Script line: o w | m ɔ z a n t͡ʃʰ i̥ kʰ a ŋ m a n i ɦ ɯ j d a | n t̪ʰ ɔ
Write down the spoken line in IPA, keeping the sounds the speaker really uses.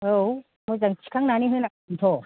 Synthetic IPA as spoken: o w | m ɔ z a ŋ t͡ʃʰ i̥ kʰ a ŋ n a n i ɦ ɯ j n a | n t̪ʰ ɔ